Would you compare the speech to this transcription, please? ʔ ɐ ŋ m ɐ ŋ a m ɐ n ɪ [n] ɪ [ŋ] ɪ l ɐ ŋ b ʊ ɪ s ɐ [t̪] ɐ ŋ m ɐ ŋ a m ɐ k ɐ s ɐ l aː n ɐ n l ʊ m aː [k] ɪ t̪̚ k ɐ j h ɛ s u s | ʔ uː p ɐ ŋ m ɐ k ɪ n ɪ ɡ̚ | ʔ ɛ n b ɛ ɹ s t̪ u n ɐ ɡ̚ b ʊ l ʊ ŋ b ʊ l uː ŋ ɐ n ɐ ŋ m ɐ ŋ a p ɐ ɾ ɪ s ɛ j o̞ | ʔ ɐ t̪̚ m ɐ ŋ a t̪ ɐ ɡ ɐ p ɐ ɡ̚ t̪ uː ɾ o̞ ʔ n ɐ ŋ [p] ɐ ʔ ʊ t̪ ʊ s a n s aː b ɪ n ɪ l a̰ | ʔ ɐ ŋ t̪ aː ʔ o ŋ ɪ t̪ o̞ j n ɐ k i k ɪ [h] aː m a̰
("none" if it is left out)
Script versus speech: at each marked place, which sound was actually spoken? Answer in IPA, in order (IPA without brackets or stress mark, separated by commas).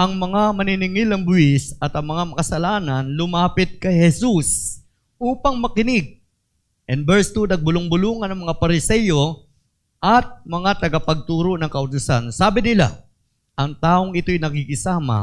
n, ŋ, t̪, p, k, s